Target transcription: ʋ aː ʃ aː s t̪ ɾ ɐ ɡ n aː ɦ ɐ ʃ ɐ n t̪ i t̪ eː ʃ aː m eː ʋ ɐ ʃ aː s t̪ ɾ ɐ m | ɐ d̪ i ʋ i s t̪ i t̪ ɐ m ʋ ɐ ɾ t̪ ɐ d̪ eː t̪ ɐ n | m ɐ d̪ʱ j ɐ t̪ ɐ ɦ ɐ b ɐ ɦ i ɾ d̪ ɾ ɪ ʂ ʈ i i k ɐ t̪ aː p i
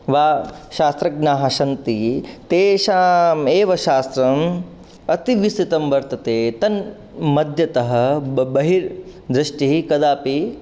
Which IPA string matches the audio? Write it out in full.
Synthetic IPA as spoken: ʋ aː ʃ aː s t̪ ɾ ɐ ɡ n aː ɦ ɐ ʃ ɐ n t̪ i t̪ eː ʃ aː m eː ʋ ɐ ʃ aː s t̪ ɾ ɐ m | ɐ t̪ i ʋ i s t̪ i t̪ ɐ m ʋ ɐ ɾ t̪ ɐ t̪ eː t̪ ɐ n | m ɐ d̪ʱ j ɐ t̪ ɐ ɦ ɐ b ɐ ɦ i ɾ d̪ ɾ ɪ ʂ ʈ i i k ɐ d̪ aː p i